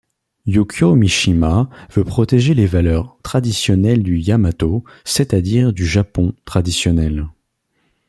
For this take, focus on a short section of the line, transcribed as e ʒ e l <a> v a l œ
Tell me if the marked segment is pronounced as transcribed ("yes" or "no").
no